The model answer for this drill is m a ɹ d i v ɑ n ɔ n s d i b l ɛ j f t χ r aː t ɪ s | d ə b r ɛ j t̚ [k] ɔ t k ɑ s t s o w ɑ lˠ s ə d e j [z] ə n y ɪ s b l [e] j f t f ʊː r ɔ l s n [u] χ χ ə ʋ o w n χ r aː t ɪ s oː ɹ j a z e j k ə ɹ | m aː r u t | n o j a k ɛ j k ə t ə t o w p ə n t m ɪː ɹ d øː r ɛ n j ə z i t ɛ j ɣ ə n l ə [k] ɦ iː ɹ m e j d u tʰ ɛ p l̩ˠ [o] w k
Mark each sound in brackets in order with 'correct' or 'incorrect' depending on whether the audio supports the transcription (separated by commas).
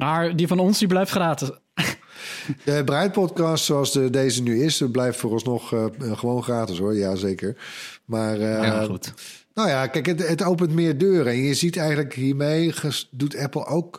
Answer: incorrect, correct, incorrect, incorrect, correct, correct